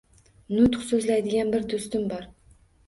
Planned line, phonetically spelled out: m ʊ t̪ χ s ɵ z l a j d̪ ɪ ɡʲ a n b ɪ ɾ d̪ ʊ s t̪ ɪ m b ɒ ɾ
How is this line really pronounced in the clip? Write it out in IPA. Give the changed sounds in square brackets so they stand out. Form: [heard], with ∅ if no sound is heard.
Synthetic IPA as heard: [n] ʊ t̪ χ s ɵ z l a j d̪ ɪ ɡʲ a n b ɪ ɾ d̪ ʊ s t̪ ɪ m b ɒ ɾ